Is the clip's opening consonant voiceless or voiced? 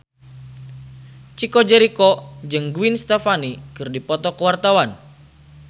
voiceless